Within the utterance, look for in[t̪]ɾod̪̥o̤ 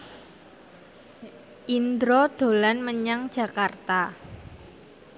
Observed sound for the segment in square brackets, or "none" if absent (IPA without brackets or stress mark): d̪